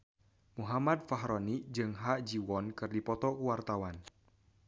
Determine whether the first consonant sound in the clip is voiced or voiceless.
voiced